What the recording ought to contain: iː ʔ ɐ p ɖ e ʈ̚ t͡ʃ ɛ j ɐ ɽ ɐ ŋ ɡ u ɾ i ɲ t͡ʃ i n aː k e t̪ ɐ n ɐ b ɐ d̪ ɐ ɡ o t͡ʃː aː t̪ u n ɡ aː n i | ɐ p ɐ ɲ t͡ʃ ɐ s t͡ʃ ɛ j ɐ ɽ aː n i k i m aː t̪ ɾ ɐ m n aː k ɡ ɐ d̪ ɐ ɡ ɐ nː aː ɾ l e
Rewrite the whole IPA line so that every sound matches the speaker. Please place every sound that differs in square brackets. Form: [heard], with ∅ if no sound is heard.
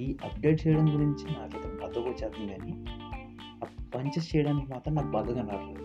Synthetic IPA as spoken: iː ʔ ɐ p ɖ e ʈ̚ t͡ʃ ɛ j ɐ ɽ ɐ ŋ ɡ u ɾ i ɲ t͡ʃ i n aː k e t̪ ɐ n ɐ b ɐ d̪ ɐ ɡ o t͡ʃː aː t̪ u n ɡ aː n i | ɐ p ɐ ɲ t͡ʃ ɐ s t͡ʃ ɛ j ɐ ɽ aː n i k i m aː t̪ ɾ ɐ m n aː k [b] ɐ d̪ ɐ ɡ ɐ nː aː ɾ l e